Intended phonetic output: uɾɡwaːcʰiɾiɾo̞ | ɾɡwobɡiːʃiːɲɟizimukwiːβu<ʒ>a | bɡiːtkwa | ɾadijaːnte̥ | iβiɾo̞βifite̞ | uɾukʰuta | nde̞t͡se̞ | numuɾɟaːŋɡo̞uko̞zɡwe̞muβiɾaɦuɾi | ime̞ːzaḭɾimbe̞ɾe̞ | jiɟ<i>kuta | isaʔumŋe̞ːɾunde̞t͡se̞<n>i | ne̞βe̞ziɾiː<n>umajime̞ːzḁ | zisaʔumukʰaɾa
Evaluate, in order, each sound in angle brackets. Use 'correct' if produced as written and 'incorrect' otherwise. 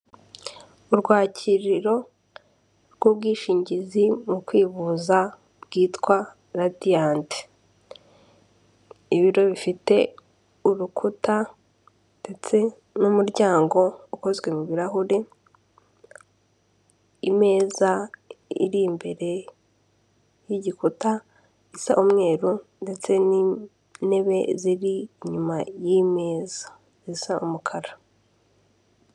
incorrect: z, correct, correct, incorrect: ɲ

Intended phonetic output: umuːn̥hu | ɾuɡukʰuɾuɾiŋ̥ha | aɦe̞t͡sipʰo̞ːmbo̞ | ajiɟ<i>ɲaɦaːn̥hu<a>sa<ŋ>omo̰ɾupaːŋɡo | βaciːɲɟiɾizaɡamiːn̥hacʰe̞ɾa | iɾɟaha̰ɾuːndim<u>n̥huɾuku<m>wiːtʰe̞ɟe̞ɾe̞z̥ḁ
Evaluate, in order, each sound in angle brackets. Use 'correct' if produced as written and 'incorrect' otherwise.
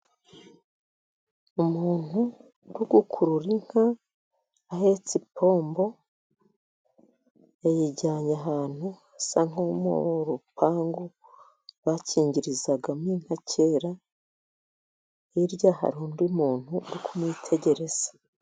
incorrect: a, correct, correct, incorrect: uː, correct

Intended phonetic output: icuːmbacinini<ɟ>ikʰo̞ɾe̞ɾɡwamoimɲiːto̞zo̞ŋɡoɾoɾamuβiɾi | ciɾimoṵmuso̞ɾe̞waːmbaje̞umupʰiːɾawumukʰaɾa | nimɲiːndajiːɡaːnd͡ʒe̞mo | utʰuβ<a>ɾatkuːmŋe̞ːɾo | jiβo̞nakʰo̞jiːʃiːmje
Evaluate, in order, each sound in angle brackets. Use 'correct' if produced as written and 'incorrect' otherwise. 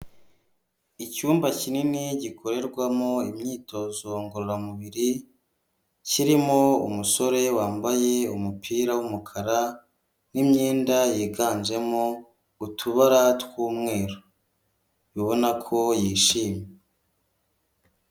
correct, correct

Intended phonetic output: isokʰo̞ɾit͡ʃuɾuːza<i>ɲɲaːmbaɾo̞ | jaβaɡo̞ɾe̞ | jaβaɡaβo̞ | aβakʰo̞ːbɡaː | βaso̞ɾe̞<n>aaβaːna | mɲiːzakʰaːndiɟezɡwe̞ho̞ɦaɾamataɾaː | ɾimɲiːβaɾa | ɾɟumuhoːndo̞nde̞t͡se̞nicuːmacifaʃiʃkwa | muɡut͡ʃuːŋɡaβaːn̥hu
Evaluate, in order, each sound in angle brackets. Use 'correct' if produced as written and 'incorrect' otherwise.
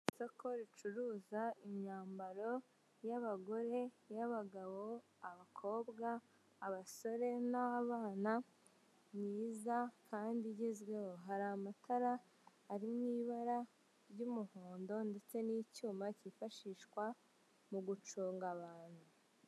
correct, correct

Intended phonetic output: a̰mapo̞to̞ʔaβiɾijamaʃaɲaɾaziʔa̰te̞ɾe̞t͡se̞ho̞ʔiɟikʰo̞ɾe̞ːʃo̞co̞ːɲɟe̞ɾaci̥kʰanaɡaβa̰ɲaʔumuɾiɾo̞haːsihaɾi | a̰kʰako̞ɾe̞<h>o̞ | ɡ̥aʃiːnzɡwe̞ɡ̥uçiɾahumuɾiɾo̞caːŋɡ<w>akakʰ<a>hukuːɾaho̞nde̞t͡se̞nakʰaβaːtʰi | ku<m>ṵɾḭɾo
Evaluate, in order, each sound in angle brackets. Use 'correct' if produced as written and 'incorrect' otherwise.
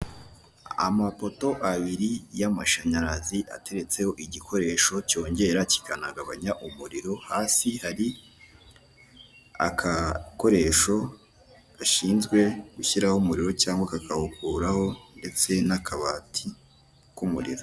incorrect: ʃ, correct, correct, correct

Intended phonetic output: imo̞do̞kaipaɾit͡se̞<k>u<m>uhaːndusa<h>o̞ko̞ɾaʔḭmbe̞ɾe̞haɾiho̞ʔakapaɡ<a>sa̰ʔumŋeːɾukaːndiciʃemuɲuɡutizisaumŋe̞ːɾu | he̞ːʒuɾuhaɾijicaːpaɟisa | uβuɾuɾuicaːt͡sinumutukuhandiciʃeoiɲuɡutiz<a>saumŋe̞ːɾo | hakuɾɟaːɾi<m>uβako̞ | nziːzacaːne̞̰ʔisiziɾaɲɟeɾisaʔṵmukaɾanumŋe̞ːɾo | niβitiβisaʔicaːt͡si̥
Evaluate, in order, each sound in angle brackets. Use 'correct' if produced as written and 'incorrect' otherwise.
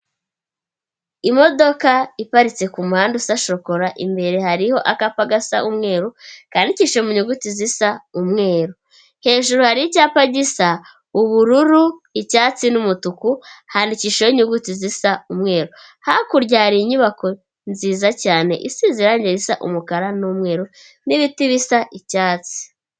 correct, correct, incorrect: ʃ, correct, incorrect: i, incorrect: ɲ

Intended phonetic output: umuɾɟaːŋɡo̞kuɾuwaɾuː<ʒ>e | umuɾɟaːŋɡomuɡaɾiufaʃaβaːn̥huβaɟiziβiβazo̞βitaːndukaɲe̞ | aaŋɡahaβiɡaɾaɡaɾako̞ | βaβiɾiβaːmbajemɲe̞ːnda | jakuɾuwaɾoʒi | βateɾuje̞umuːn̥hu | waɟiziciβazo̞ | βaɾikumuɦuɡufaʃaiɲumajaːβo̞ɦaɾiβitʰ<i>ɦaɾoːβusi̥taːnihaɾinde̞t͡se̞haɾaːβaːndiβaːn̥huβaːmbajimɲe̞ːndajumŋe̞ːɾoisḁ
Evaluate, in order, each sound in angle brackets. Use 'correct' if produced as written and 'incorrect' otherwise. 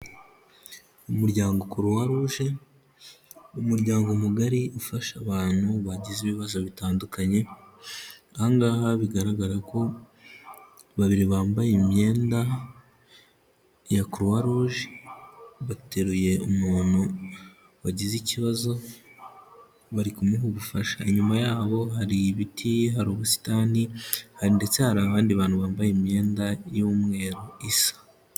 correct, correct

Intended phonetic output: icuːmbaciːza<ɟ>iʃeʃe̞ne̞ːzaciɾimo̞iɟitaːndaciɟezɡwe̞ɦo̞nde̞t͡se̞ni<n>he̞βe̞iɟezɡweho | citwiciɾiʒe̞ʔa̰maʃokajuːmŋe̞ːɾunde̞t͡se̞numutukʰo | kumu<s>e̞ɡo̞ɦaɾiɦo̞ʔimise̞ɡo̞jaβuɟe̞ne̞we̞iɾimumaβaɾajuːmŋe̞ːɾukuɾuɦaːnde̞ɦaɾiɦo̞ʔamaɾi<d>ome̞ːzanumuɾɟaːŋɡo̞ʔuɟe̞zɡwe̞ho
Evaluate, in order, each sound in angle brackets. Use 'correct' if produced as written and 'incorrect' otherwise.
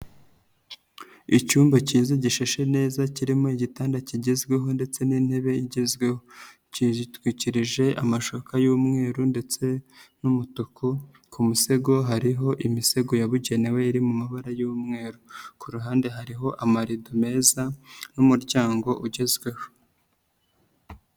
correct, correct, correct, correct

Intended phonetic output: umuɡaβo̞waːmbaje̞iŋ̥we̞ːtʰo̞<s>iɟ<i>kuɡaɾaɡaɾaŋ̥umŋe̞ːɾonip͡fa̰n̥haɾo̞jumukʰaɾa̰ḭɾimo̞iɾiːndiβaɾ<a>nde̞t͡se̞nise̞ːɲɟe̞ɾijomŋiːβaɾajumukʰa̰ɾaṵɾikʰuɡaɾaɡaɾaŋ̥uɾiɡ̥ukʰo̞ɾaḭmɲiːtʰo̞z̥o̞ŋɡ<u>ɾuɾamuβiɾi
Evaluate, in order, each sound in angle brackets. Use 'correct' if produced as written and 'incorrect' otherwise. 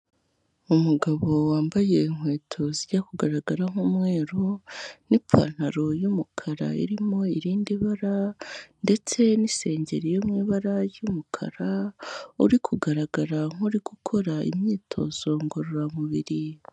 incorrect: z, incorrect: a, correct, incorrect: o

